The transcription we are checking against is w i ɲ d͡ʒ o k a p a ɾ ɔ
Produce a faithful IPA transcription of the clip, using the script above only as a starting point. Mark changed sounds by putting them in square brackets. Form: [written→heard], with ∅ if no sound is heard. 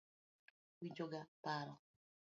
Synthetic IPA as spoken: w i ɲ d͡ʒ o [k→ɡ] a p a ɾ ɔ